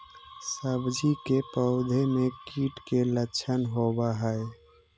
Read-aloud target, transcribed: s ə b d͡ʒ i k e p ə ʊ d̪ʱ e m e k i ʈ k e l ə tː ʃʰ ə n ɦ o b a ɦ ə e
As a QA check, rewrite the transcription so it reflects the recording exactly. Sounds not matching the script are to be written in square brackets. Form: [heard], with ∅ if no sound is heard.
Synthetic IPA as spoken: s ə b d͡ʒ i k e p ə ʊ d̪ʱ e m e k i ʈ k e l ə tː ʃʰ ə n ɦ o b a ɦ ə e